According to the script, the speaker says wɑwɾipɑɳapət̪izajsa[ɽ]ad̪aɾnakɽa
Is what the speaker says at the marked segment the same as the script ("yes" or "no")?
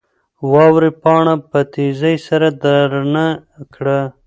no